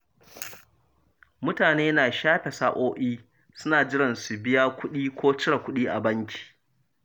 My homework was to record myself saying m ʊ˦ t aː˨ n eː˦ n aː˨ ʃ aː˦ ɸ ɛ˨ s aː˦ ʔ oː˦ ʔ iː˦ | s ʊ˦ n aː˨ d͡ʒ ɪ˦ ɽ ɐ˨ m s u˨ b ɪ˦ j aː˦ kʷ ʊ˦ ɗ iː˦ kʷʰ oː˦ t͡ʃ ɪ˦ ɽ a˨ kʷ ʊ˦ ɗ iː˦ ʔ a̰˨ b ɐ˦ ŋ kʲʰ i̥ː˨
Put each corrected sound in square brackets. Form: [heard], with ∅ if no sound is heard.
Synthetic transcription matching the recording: m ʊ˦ t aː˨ n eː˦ n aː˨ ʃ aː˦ ɸ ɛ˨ s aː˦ ʔ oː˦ ʔ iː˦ | s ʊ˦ n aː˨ d͡ʒ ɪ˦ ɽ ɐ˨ [n] s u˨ b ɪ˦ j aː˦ kʷ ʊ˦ ɗ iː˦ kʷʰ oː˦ t͡ʃ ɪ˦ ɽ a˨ kʷ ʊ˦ ɗ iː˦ ʔ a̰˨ b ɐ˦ ŋ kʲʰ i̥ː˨

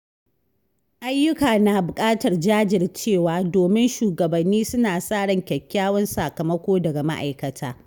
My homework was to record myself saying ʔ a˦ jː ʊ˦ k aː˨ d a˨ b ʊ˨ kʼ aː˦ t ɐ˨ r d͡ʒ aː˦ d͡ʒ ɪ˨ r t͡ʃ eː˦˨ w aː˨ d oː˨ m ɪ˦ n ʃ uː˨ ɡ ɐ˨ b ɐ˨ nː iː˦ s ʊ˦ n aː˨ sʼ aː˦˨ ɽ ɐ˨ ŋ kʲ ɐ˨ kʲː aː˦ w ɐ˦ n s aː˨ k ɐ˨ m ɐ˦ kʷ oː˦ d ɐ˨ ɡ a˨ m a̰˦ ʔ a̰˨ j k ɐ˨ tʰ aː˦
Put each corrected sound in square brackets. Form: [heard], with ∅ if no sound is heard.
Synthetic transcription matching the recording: ʔ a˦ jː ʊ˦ k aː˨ [n] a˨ b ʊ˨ kʼ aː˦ t ɐ˨ r d͡ʒ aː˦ d͡ʒ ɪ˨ r t͡ʃ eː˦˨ w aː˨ d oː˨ m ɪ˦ n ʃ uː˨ ɡ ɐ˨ b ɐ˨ nː iː˦ s ʊ˦ n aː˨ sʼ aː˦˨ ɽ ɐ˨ ŋ kʲ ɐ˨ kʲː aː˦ w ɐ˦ n s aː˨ k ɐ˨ m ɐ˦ kʷ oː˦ d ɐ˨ ɡ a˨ m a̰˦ ʔ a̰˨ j k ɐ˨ tʰ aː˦

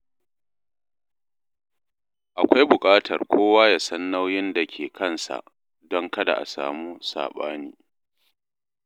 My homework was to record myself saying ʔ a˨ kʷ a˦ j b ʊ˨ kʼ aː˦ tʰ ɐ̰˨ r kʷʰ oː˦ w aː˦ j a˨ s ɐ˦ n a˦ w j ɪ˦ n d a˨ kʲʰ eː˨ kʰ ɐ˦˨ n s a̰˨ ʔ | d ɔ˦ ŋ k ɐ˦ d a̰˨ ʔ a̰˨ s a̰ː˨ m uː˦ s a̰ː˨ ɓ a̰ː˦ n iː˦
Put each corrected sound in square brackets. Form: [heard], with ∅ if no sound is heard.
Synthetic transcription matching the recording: ʔ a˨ kʷ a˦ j b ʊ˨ kʼ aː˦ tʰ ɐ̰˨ r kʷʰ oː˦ w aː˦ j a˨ s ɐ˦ [nː] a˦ w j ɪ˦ n d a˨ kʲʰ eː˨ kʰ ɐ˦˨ n s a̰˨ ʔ | d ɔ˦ ŋ k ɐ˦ d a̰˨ ʔ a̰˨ s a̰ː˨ m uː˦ s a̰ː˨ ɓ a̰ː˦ n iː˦

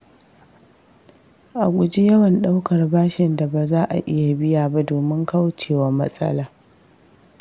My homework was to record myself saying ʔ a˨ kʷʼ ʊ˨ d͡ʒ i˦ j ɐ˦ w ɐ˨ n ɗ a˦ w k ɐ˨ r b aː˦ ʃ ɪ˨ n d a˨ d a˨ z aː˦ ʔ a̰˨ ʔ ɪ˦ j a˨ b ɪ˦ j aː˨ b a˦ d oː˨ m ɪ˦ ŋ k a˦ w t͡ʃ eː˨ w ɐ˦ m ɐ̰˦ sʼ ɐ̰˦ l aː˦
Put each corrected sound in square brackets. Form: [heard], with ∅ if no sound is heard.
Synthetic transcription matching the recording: ʔ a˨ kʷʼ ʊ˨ d͡ʒ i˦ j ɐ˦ w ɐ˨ n ɗ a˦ w k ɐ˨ r b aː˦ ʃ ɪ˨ n d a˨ [b] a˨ z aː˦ ʔ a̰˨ ʔ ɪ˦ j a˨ b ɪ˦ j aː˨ b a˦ d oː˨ m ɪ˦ ŋ k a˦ w t͡ʃ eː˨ w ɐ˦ m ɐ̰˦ sʼ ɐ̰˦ l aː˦

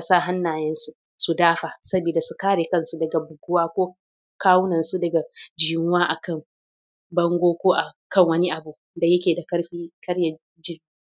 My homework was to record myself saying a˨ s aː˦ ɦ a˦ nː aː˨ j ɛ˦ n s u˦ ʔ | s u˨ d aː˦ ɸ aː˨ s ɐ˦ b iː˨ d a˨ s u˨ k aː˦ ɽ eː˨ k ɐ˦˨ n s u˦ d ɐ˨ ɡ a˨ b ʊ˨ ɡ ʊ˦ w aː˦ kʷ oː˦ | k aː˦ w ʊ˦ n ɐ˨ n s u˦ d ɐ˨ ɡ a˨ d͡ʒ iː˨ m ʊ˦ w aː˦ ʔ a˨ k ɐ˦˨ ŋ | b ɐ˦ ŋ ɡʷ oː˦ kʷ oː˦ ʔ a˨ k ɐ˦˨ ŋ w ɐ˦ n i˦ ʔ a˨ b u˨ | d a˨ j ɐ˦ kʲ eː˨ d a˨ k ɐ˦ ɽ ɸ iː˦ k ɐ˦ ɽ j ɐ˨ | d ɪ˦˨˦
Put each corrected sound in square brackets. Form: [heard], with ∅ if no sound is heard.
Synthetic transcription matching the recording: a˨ s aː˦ ɦ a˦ nː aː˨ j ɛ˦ n s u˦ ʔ | s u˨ d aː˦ ɸ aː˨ s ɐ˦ b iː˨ d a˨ s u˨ k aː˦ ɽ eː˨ k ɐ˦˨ n s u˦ d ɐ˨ ɡ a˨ b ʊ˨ ɡ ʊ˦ w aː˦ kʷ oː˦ | k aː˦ w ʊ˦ n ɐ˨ n s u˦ d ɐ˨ ɡ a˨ d͡ʒ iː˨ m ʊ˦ w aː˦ ʔ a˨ k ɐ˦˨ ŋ | b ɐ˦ ŋ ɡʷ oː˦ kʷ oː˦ ʔ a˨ k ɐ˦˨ ŋ w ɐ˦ n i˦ ʔ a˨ b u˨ | d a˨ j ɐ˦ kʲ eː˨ d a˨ k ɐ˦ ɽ ɸ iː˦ k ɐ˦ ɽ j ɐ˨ | [d͡ʒ] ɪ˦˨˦

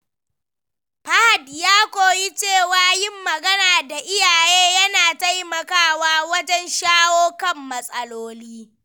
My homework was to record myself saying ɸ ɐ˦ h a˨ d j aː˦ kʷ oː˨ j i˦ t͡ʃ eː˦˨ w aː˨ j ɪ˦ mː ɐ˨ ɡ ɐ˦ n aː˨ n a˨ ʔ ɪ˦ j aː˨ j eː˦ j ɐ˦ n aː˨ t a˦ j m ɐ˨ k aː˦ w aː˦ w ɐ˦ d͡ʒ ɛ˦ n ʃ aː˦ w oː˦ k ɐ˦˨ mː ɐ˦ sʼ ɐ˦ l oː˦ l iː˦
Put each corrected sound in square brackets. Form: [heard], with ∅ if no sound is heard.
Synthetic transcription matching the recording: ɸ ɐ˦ h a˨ d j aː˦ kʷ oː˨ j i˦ t͡ʃ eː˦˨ w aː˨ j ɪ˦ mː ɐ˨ ɡ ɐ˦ n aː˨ [d] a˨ ʔ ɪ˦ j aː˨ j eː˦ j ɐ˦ n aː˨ t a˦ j m ɐ˨ k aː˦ w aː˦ w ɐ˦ d͡ʒ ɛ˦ n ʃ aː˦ w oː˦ k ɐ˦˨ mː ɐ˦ sʼ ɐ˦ l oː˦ l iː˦

